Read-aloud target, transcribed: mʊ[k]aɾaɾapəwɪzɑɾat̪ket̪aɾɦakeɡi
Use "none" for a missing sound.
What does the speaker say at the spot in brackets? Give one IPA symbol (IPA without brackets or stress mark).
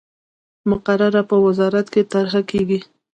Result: q